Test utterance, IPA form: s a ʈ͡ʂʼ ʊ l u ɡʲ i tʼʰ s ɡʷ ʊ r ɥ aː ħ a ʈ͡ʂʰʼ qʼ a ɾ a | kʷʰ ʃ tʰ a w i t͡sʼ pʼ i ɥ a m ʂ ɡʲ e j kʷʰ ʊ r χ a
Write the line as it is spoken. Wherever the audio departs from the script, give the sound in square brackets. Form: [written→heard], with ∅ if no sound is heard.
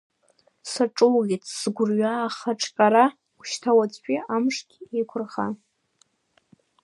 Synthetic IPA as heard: s a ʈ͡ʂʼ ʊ l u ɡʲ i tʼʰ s ɡʷ ʊ r ɥ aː [ħ→χ] a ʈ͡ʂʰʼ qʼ a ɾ a | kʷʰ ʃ tʰ a w [i→a] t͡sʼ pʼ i [ɥ→∅] a m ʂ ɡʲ e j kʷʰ ʊ r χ a